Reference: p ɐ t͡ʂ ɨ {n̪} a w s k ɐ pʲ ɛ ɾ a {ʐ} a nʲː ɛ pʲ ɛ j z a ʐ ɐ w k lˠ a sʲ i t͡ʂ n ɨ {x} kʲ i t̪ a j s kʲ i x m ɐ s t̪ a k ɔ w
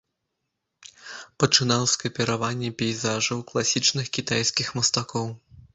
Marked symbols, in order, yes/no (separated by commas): yes, no, yes